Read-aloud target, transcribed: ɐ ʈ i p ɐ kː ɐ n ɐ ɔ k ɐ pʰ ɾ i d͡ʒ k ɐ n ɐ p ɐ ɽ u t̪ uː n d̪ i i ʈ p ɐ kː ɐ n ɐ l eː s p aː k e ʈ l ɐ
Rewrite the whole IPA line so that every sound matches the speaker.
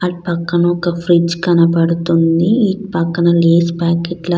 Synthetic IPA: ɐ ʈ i p ɐ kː ɐ n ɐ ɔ k ɐ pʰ ɾ i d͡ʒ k ɐ n ɐ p ɐ ɽ u t̪ u n d̪ i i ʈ p ɐ kː ɐ n ɐ l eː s p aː k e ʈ l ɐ